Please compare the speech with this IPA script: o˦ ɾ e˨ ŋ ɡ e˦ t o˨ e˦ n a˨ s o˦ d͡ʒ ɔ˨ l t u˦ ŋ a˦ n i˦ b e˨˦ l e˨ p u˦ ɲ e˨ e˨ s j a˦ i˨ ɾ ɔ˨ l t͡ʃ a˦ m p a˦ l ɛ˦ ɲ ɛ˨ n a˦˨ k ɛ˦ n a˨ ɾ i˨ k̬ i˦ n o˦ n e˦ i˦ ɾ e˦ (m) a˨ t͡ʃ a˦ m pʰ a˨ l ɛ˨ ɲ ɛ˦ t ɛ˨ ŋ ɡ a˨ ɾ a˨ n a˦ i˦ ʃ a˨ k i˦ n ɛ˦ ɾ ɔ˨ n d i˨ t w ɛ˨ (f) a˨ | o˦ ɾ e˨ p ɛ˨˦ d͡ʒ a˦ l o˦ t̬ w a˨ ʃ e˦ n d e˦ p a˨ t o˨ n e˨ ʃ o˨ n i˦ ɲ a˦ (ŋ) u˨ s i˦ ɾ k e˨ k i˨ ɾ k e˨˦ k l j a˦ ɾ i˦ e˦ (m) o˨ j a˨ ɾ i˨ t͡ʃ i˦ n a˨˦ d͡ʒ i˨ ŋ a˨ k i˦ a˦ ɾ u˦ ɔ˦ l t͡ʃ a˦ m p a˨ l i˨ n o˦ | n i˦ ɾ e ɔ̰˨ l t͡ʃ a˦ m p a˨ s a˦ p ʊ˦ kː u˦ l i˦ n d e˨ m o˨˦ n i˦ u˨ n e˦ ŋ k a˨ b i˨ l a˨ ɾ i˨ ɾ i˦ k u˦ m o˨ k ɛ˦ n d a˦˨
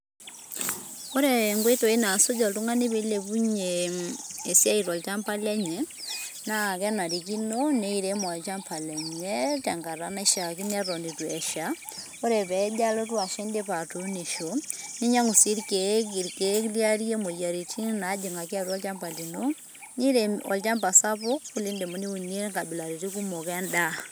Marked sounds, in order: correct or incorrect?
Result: correct, incorrect: ʃ, correct, correct

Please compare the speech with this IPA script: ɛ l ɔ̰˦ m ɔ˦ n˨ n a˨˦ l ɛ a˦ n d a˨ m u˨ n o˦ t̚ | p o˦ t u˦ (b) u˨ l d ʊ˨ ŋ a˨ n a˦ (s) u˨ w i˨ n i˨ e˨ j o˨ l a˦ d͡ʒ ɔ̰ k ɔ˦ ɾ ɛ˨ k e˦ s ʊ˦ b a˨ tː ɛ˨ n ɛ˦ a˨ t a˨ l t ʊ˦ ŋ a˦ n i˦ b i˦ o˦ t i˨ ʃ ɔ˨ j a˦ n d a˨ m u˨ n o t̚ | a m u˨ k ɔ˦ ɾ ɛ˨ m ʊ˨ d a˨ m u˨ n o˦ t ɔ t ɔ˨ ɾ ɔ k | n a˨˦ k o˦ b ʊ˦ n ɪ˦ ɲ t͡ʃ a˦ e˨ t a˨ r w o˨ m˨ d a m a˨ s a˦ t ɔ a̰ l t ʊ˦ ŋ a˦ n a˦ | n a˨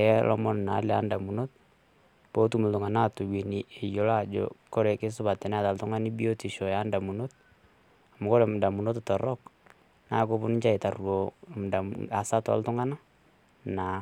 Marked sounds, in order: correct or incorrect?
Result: incorrect: m, incorrect: t

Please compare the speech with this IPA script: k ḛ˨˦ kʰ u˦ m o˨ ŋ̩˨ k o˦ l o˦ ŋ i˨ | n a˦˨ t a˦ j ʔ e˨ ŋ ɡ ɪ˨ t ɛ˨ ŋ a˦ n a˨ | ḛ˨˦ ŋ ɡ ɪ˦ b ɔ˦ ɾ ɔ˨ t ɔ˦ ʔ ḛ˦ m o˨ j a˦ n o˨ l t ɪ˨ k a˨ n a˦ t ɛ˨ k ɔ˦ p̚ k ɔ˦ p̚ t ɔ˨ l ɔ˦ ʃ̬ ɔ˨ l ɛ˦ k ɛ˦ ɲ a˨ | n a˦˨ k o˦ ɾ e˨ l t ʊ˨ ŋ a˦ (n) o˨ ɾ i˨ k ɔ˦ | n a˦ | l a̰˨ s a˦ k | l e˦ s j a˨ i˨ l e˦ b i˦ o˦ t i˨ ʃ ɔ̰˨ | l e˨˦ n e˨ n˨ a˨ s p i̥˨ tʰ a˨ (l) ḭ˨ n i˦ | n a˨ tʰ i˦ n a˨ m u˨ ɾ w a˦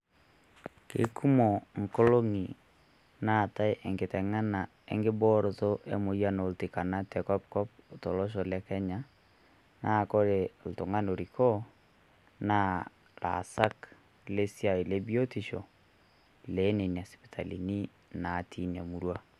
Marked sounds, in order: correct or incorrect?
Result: correct, correct

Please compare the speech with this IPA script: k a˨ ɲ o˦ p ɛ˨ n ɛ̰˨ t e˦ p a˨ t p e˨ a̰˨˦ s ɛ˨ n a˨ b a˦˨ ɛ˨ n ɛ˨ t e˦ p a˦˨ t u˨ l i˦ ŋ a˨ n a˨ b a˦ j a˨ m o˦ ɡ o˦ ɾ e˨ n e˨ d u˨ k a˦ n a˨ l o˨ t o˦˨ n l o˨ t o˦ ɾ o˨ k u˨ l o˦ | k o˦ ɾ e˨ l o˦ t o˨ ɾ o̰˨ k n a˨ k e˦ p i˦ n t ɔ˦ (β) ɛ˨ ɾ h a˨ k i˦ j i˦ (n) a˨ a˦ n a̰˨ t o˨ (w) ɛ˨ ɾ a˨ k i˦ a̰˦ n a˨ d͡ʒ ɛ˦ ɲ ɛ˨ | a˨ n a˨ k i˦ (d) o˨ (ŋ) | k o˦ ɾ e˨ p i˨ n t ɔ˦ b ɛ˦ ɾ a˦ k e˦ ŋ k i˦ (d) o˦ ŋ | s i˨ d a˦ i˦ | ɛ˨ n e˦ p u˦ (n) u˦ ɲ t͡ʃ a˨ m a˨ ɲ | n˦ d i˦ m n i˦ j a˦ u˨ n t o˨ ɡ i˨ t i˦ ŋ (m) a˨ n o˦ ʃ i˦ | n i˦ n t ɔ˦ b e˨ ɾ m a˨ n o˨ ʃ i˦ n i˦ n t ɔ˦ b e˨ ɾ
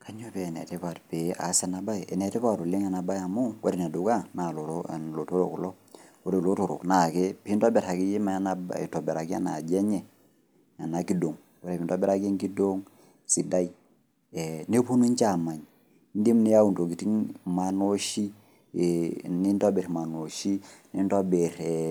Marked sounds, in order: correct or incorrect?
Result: incorrect: b, incorrect: m, incorrect: b, correct, correct, correct, correct, correct

